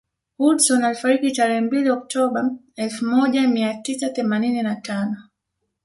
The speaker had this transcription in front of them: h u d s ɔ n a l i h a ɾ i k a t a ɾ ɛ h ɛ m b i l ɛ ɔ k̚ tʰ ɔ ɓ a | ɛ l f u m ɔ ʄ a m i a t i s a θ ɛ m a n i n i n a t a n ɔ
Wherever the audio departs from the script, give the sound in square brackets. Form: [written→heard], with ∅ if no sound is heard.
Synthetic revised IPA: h u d s ɔ n a l i [h→f] a ɾ i k [a→i] t a ɾ ɛ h ɛ m b i l [ɛ→i] ɔ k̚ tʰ ɔ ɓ a | ɛ l f u m ɔ ʄ a m i a t i s a θ ɛ m a n i n i n a t a n ɔ